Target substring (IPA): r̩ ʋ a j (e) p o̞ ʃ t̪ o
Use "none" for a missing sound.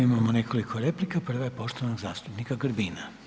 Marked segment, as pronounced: e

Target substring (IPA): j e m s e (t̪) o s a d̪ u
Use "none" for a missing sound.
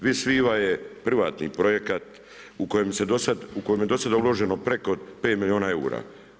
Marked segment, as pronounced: d̪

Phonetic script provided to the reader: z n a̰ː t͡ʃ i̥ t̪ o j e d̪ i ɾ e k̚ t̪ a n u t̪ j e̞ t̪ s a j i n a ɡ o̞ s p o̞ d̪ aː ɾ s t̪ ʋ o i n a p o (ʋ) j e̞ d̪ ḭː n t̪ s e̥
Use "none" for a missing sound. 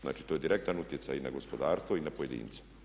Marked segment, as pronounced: none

